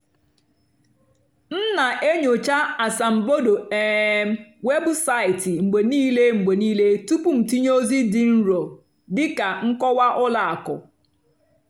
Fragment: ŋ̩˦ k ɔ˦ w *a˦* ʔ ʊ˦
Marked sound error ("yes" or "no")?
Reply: no